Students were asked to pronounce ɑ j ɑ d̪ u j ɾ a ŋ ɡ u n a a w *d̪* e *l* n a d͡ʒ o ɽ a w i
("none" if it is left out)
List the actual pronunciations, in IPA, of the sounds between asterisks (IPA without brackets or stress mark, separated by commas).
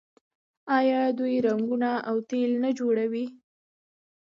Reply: t̪, l